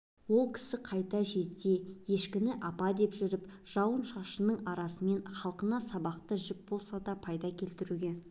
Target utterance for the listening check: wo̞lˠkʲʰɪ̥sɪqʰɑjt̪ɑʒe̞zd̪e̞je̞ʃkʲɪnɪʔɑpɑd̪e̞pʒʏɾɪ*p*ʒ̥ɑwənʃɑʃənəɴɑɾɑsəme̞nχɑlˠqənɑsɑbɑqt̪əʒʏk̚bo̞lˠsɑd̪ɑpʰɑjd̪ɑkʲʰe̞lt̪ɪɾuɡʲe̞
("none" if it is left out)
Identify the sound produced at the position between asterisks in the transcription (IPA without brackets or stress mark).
p